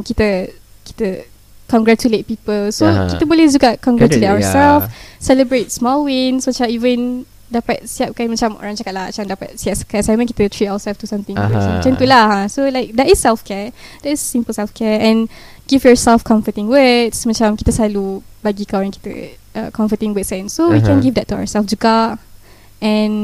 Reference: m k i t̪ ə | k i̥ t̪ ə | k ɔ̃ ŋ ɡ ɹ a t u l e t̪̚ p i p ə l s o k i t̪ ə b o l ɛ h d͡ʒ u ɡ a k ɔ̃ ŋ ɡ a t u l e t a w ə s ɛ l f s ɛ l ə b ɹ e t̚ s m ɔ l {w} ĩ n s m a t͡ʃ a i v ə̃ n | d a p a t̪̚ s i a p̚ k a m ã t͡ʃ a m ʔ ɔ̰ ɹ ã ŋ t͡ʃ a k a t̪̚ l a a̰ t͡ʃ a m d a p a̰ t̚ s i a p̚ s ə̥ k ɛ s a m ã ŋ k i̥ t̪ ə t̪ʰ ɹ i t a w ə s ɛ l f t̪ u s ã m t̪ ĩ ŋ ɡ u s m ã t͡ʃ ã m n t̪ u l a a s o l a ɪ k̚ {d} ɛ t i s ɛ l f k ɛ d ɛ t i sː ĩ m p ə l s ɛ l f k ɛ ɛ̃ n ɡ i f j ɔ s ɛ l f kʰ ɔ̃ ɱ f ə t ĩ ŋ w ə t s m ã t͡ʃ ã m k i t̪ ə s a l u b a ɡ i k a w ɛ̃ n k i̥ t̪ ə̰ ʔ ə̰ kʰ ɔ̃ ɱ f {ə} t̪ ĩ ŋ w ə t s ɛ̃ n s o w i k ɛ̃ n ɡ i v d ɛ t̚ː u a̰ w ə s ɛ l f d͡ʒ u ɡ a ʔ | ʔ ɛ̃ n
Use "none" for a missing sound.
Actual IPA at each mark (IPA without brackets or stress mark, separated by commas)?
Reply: w, d, ə